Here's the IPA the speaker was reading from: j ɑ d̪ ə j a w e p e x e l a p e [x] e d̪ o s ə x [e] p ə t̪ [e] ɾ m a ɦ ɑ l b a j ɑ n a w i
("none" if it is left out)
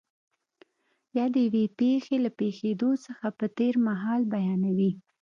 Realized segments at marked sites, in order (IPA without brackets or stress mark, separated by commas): x, a, e